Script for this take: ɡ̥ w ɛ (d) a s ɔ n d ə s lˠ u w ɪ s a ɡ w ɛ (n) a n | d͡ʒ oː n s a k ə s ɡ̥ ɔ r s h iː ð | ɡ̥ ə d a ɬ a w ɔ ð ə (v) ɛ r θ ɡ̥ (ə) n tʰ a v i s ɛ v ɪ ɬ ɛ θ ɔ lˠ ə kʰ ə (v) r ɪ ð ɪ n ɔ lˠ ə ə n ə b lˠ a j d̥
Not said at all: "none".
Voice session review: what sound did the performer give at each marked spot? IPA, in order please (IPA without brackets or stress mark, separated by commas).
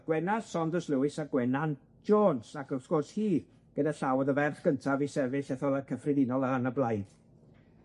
n, n, v, ə, f